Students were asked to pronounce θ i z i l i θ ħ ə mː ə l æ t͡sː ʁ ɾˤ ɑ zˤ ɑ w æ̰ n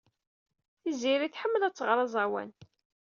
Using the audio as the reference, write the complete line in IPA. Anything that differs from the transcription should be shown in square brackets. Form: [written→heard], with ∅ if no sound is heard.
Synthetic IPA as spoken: θ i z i [l→ɾ] i θ ħ ə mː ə l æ t͡sː ʁ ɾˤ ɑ zˤ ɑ w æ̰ n